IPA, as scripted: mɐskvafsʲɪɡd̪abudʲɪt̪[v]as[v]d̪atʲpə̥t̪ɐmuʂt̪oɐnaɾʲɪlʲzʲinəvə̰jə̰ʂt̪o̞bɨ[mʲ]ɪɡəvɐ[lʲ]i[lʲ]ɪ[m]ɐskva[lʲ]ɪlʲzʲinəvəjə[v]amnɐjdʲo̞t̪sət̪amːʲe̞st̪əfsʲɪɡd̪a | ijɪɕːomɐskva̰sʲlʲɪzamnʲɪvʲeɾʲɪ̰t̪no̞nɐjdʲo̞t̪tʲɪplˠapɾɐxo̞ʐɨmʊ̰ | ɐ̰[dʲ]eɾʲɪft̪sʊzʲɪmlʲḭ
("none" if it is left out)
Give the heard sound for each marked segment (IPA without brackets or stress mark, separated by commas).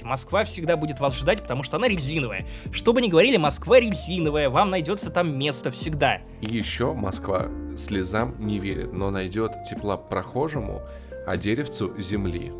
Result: v, ʐ, nʲ, ɾʲ, lʲ, m, ɾʲ, v, dʲ